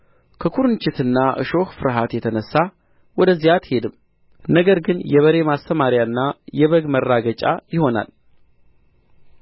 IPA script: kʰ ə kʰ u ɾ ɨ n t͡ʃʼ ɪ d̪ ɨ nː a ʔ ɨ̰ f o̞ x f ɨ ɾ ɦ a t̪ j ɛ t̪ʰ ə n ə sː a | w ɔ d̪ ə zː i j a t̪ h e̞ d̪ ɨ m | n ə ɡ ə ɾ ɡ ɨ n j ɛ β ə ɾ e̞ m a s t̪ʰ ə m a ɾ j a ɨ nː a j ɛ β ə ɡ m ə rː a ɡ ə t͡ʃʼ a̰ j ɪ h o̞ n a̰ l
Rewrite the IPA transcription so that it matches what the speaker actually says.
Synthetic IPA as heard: kʰ ə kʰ u ɾ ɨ n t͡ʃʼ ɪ t̪ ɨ nː a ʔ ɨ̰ ʃ o̞ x f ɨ ɾ ɦ a t̪ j ɛ t̪ʰ ə n ə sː a | w ɔ d̪ ə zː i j a t̪ h e̞ d̪ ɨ m | n ə ɡ ə ɾ ɡ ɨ n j ɛ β ə ɾ e̞ m a s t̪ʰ ə m a ɾ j a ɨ nː a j ɛ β ə ɡ m ə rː a ɡ ə t͡ʃʼ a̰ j ɪ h o̞ n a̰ l